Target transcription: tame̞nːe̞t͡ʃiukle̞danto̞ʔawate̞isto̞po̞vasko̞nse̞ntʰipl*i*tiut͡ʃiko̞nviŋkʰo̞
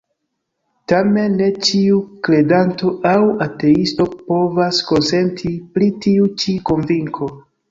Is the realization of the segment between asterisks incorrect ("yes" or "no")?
no